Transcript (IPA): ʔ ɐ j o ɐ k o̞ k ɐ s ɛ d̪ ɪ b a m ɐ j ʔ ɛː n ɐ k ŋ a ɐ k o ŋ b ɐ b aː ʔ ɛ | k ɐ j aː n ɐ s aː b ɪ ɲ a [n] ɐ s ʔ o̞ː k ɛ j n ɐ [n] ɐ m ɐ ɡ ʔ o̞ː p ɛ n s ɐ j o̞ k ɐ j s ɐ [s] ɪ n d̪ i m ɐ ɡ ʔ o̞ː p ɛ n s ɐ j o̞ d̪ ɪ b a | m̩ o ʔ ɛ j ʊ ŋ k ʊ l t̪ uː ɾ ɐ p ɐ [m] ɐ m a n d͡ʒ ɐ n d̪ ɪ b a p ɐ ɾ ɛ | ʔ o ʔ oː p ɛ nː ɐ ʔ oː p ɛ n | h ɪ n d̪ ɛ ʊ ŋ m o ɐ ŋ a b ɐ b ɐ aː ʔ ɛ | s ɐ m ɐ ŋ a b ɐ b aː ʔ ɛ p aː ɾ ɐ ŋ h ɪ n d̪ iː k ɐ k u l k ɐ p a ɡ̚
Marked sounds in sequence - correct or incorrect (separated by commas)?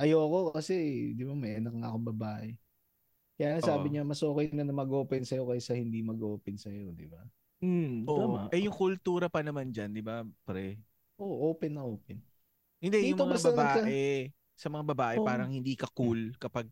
incorrect, correct, incorrect, incorrect